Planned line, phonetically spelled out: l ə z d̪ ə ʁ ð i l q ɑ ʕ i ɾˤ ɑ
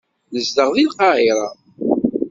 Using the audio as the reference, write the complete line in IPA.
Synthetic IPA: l ə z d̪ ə ʁ ð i l q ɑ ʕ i ɾˤ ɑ